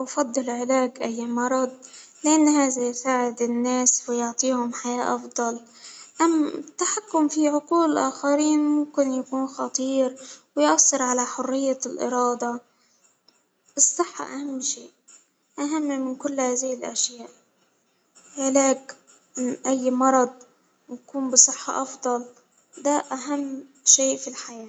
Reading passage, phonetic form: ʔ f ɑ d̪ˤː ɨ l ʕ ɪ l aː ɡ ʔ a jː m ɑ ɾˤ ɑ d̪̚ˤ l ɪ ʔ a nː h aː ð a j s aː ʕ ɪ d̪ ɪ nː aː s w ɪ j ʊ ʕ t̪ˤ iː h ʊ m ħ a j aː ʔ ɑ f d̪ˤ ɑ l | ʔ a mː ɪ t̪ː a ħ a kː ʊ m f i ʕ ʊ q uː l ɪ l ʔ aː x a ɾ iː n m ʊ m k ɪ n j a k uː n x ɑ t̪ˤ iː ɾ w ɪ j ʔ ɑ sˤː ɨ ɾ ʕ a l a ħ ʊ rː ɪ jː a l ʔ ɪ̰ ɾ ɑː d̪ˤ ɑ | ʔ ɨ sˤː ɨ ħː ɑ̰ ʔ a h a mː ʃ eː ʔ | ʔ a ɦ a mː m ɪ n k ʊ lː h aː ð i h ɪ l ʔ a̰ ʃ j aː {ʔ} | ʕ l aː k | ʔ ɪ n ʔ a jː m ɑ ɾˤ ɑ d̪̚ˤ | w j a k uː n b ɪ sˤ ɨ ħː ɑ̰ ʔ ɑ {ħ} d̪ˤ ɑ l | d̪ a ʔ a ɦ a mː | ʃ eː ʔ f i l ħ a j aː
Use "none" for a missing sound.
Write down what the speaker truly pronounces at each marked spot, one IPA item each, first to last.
ʔ, f

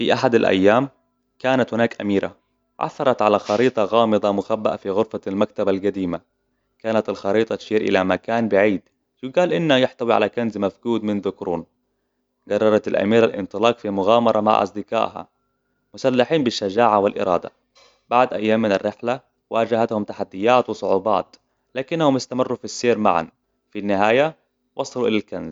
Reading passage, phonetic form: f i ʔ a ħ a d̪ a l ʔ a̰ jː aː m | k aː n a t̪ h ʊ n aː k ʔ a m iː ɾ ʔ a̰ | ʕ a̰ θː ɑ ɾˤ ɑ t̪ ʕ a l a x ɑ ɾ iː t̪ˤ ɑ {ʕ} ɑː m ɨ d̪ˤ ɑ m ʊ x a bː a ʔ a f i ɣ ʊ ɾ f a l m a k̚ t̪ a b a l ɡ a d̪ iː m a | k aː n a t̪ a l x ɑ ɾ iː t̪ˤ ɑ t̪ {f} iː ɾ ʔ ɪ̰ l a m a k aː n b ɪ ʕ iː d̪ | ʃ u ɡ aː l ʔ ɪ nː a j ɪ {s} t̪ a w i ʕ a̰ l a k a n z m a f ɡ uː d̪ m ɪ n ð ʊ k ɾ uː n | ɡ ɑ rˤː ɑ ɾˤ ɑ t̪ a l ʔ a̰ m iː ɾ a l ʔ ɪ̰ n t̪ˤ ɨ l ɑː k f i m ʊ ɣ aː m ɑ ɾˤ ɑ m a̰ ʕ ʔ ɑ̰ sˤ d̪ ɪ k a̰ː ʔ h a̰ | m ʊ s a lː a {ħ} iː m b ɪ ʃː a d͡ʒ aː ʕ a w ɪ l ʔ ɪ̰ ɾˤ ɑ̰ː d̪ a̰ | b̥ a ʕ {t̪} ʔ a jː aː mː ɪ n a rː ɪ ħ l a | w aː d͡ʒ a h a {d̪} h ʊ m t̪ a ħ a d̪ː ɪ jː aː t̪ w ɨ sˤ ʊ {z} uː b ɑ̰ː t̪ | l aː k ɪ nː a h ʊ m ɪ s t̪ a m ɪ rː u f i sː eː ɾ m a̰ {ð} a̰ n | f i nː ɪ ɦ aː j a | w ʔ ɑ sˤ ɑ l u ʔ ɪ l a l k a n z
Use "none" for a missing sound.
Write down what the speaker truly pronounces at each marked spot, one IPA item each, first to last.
ɣ, ʃ, ħ, ħ, d̪, t̪, ʕ, ʕ

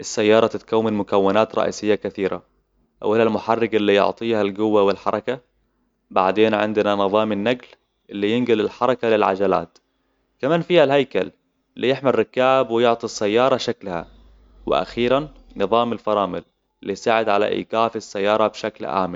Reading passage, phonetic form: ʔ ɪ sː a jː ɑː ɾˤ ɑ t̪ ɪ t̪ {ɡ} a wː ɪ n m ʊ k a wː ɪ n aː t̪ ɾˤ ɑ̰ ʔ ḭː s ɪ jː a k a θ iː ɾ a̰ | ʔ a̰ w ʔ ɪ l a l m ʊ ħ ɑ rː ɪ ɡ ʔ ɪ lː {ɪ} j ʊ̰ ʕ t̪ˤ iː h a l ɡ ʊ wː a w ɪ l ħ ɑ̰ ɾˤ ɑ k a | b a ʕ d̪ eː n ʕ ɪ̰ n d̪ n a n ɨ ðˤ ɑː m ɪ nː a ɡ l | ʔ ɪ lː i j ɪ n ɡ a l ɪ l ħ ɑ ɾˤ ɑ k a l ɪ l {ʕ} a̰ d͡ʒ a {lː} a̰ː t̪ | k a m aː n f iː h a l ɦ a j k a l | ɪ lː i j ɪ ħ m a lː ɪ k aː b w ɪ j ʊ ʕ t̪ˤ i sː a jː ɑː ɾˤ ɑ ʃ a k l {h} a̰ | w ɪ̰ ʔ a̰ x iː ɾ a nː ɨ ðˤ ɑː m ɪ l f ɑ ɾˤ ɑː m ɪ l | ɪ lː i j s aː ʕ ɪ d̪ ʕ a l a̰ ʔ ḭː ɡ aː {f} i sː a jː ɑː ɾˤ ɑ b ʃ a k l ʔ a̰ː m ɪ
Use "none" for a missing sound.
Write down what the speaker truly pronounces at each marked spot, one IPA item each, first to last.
k, i, ʕ, l, h, f

